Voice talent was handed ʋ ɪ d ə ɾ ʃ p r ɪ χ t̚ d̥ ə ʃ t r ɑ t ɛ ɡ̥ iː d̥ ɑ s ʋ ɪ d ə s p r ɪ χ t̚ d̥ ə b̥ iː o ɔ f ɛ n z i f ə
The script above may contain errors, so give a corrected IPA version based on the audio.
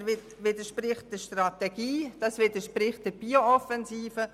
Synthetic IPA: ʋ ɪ d ə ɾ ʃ p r ɪ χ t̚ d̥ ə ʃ t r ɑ t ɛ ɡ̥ iː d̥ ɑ s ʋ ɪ d ə ʃ p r ɪ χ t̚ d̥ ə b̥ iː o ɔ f ɛ n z iː f ə